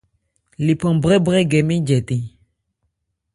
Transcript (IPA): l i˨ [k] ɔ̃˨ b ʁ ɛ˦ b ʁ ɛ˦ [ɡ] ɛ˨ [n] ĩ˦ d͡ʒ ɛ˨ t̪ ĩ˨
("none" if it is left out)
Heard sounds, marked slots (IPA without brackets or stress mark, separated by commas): p, ɡ, m